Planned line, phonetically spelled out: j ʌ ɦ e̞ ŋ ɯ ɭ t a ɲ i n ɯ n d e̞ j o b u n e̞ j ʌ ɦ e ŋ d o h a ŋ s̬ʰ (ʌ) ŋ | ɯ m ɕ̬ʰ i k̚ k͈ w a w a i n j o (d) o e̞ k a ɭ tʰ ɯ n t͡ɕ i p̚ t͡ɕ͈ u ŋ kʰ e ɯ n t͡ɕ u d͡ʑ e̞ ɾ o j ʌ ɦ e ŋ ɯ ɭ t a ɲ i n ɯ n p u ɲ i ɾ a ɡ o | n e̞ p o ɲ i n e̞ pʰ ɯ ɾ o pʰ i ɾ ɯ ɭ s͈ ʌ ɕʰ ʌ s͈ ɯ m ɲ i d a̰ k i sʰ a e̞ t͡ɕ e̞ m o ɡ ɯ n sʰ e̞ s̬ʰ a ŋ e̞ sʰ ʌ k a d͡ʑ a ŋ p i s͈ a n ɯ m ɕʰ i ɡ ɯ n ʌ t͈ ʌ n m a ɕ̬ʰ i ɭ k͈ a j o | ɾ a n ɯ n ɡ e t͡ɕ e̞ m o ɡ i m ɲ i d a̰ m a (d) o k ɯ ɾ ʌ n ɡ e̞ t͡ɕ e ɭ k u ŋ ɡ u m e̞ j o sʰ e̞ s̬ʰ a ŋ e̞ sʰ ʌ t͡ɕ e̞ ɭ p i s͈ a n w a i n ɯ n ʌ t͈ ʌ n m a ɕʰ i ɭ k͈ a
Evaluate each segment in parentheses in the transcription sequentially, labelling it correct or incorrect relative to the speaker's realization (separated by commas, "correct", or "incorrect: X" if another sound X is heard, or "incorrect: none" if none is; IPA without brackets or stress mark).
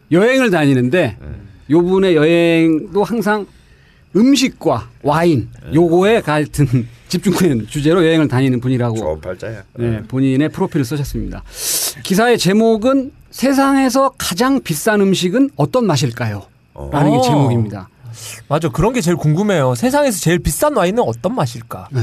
incorrect: a, incorrect: ɡ, incorrect: d͡ʑ